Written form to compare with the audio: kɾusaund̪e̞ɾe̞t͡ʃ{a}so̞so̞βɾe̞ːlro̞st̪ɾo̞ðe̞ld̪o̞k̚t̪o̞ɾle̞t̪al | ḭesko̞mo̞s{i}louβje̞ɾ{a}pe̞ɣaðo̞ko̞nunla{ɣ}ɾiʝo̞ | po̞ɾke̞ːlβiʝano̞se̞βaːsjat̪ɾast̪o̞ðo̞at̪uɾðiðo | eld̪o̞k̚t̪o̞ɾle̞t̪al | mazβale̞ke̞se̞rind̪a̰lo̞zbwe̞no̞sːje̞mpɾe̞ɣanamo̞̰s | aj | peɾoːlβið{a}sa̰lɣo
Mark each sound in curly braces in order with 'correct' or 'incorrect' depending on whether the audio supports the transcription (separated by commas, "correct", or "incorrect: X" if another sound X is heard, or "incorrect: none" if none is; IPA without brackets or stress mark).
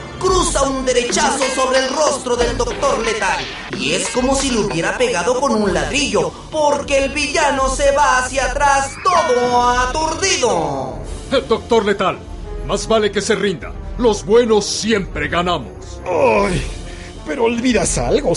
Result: correct, correct, correct, incorrect: ð, correct